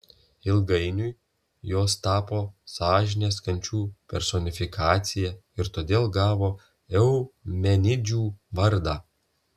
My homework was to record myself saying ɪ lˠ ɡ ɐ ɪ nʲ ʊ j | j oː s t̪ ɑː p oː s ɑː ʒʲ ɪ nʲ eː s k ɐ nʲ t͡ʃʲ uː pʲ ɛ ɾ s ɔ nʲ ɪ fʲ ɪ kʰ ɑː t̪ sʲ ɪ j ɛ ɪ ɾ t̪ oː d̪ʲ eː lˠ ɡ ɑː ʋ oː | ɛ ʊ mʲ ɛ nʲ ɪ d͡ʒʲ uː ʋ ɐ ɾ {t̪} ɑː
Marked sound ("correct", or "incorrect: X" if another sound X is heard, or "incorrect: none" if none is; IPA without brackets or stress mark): incorrect: d̪